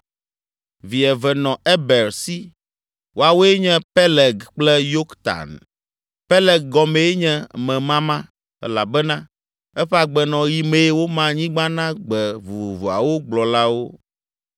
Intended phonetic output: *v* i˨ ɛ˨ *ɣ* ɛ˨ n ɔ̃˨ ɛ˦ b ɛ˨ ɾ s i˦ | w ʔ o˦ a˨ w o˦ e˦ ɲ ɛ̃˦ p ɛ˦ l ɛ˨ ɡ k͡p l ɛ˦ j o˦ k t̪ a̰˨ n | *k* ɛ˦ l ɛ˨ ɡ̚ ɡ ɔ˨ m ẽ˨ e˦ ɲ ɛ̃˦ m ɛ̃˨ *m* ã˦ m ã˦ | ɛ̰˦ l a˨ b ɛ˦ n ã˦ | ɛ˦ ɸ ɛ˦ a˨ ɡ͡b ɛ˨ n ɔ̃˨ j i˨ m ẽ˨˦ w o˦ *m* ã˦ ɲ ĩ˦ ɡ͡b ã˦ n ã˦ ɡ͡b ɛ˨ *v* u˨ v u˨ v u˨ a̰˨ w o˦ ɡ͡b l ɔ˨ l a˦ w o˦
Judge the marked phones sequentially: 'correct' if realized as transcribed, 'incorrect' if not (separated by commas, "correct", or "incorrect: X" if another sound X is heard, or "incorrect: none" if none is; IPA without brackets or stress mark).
correct, incorrect: v, incorrect: p, correct, correct, correct